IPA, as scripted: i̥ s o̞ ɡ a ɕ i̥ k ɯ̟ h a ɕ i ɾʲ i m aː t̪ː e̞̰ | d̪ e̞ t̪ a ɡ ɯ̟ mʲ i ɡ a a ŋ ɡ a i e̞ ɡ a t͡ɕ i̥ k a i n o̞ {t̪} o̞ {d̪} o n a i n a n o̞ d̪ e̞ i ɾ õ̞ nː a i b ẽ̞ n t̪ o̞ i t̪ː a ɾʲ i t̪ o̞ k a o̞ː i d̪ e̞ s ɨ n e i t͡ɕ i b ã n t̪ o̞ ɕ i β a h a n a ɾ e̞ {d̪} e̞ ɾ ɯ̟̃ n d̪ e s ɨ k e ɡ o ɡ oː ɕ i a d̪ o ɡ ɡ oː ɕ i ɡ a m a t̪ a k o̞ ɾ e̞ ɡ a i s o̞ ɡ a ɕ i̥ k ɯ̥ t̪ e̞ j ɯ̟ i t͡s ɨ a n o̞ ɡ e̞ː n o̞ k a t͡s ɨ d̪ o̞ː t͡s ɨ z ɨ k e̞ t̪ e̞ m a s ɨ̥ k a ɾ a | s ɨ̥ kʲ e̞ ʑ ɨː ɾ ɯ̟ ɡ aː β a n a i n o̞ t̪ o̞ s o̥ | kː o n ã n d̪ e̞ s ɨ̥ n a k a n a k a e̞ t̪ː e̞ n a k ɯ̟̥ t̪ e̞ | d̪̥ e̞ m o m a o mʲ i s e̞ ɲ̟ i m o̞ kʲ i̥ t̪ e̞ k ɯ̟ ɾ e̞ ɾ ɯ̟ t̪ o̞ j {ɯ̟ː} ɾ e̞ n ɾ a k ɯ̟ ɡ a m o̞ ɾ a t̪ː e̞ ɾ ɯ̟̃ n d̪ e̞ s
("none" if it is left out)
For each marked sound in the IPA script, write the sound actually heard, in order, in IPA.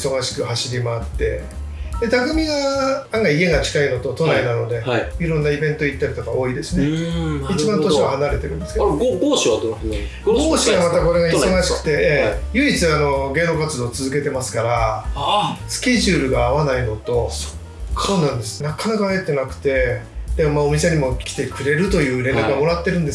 t̪, t̪, t̪, ɯ̟ː

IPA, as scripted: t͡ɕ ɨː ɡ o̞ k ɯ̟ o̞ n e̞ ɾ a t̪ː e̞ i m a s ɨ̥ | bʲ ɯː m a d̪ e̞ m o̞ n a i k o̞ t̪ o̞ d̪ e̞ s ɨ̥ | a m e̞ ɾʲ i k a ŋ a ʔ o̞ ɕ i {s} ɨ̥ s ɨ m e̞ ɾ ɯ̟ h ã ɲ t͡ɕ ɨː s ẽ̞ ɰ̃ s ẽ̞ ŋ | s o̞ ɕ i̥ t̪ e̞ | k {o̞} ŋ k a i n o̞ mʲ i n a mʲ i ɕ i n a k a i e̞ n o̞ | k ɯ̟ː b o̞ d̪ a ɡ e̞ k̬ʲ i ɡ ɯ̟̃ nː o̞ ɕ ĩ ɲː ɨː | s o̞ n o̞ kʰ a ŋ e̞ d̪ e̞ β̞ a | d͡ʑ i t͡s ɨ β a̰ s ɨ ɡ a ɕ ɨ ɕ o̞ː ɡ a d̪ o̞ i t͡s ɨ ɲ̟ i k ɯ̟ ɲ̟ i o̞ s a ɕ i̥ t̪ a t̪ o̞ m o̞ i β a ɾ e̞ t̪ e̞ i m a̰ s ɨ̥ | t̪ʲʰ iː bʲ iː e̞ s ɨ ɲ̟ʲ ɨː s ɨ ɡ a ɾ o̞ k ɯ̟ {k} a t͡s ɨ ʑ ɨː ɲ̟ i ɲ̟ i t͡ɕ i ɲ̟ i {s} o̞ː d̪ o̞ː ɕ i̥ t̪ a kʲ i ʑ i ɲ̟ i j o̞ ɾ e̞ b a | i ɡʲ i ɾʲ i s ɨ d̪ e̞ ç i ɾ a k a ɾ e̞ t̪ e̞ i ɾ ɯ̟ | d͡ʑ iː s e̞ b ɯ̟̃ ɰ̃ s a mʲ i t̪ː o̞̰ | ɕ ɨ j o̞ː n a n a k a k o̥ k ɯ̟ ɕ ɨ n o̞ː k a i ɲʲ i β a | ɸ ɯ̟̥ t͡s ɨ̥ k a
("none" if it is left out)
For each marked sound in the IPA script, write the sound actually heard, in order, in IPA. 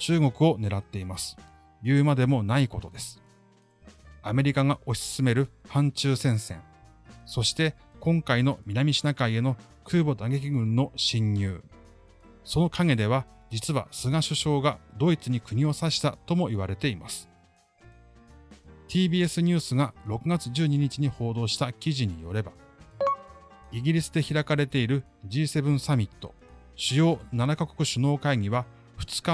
s, õ̞, ɡ, h

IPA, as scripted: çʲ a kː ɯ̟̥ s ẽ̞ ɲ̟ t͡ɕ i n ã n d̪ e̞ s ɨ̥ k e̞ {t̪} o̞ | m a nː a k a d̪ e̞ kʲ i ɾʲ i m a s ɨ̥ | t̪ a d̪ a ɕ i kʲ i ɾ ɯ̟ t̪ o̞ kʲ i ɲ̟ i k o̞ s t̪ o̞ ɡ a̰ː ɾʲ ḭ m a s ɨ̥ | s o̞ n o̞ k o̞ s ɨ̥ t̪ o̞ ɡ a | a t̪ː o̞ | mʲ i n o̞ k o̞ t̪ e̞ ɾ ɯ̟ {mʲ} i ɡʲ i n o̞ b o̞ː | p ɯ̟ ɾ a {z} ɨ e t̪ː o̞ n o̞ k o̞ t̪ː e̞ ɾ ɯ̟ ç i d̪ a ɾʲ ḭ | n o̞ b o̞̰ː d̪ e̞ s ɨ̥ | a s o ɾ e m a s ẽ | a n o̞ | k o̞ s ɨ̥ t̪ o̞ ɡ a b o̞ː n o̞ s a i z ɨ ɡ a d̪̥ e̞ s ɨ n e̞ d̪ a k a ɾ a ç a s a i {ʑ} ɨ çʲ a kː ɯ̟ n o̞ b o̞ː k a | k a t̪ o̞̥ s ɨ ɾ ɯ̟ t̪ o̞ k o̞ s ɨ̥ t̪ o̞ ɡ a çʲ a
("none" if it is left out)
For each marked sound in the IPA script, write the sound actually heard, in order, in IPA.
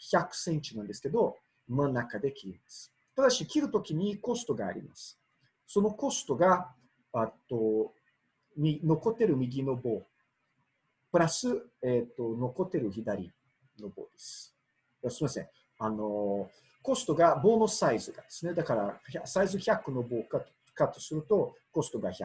d̪, mʲ, s, z

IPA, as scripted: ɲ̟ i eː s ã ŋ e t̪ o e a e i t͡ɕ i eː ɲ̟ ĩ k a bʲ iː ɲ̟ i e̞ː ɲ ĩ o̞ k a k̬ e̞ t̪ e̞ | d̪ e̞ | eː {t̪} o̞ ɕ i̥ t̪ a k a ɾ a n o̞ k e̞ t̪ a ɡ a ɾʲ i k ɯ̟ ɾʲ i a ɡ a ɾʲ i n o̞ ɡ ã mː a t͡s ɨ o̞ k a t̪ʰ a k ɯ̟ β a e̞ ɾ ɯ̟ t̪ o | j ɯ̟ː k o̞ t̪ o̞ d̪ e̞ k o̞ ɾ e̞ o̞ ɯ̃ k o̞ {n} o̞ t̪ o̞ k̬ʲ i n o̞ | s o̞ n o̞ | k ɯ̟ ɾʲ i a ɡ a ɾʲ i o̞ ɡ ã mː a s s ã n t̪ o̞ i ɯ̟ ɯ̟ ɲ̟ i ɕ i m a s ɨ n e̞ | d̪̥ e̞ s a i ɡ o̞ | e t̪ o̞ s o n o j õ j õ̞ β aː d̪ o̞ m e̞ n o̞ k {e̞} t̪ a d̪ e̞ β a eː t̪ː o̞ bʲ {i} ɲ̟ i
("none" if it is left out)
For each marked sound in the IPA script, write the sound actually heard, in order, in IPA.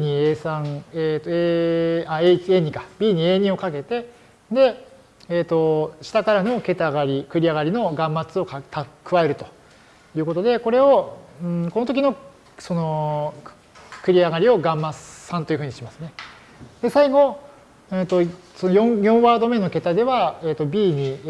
t̪, n, e̞, iː

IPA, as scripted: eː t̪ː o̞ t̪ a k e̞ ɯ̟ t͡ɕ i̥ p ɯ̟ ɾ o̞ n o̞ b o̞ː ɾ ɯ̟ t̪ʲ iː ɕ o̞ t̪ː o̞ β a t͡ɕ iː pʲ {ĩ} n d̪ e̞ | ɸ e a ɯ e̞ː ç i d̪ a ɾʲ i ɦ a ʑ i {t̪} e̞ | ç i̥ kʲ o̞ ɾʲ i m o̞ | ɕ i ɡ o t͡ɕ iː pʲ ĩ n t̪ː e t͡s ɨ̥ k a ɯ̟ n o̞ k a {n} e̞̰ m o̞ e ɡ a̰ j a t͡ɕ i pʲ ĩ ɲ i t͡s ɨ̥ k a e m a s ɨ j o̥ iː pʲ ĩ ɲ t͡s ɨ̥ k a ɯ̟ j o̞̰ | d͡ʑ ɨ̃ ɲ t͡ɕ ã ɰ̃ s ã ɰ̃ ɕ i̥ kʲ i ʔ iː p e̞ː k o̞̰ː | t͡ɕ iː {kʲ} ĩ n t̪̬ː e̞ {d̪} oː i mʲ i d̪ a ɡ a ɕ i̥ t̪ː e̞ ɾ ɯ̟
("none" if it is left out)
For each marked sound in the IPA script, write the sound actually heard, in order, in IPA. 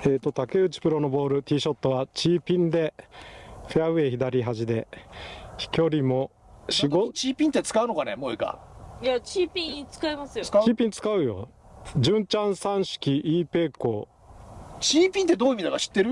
ĩ, d̪, n, pʲ, d̪

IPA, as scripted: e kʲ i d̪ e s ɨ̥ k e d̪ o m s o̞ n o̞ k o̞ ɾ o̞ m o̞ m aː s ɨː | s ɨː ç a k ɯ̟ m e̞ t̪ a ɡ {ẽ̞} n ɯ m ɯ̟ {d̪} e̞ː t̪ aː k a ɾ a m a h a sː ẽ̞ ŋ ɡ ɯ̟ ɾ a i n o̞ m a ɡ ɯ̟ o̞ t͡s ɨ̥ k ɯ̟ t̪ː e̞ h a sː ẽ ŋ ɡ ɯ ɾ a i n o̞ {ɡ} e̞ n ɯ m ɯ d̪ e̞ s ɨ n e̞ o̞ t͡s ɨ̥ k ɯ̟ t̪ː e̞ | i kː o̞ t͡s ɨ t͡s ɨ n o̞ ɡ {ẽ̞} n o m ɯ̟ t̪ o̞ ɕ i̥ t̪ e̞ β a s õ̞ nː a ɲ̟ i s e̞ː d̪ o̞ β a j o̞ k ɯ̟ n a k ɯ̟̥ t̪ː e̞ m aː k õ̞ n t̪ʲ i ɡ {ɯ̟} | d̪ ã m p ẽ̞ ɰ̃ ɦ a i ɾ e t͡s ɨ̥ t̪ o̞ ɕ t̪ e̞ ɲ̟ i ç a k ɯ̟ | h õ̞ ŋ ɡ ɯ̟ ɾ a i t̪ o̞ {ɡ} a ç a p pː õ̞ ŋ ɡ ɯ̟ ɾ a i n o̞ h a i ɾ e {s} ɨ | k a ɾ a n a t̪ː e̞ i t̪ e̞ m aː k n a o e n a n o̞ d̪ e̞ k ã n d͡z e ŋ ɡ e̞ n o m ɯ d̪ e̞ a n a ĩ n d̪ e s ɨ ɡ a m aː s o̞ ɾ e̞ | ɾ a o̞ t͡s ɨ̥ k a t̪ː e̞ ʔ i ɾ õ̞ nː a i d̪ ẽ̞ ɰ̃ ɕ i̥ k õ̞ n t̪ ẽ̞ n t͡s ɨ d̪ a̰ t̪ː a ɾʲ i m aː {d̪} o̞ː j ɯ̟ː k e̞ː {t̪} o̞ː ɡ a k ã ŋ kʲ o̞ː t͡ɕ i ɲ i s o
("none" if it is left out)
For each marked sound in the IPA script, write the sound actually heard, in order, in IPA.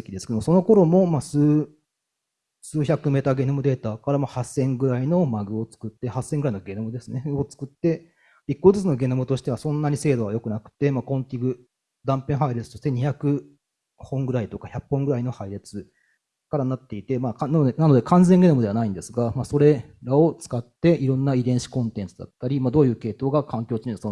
e̞, d̪, ɡ, e̞, ɯ̟, k, t͡s, d̪, t̪

